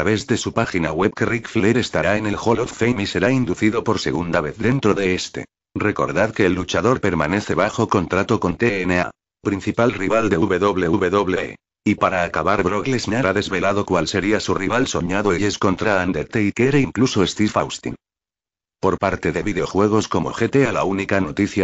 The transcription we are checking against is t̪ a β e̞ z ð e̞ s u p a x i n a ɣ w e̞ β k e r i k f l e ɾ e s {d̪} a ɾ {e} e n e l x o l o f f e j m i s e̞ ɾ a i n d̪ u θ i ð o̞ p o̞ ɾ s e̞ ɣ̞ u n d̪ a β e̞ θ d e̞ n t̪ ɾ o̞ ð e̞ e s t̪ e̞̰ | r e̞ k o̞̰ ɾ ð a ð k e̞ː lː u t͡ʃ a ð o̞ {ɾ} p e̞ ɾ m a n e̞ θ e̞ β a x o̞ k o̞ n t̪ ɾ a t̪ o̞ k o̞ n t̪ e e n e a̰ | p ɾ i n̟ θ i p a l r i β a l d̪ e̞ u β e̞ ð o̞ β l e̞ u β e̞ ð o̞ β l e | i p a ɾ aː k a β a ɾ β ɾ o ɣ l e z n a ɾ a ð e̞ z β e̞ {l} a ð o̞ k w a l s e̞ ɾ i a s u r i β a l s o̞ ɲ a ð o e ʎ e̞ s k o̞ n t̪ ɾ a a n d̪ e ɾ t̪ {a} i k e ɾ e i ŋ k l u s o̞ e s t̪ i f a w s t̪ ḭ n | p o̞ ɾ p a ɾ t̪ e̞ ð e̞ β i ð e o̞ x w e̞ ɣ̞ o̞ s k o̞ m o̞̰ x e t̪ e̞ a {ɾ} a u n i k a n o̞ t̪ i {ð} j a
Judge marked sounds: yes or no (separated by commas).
no, no, yes, yes, no, no, no